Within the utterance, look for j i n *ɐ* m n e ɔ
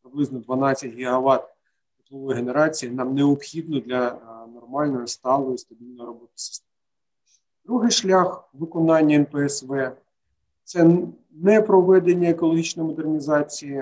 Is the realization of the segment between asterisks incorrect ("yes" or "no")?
yes